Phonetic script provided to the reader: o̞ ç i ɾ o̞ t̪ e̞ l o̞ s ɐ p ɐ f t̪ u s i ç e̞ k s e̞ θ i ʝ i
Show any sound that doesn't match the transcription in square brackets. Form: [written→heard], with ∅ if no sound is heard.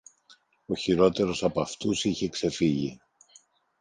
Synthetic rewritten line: o̞ ç i ɾ o̞ t̪ e̞ [l→ɾ] o̞ s ɐ p ɐ f t̪ u s i ç e̞ k s e̞ [θ→f] i ʝ i